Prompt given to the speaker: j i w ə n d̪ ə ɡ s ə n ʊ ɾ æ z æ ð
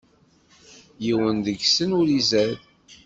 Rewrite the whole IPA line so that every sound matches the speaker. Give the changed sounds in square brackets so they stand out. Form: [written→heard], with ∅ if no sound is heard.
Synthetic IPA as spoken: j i w ə n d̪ ə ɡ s ə n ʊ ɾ [æ→i] z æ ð